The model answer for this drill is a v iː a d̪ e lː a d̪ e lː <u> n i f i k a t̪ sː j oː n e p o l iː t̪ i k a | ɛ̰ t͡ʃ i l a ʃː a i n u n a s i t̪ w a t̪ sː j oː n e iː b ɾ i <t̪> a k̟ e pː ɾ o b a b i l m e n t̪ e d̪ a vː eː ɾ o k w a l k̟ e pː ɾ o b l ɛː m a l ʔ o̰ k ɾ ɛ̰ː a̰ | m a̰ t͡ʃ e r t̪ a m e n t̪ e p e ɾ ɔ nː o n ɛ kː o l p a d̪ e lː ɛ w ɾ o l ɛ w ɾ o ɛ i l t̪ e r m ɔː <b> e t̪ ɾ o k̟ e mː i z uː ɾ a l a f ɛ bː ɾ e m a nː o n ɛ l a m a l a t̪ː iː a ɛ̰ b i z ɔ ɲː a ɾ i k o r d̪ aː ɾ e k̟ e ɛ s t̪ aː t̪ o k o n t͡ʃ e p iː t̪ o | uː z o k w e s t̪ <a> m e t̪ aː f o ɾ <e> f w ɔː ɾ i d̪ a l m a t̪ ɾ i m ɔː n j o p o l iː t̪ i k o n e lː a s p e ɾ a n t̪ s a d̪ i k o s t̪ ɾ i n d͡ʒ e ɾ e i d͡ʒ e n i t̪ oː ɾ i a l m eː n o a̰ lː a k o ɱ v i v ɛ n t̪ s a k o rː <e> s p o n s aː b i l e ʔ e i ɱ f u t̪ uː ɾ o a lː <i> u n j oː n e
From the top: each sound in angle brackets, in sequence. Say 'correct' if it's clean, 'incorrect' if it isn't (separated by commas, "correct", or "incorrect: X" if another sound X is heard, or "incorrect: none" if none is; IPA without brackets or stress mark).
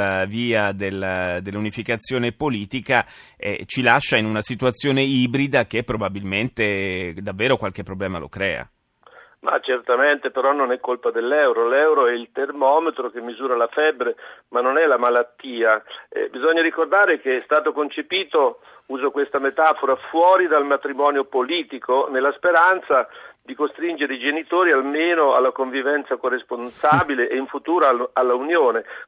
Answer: correct, incorrect: d̪, incorrect: m, correct, incorrect: a, correct, incorrect: a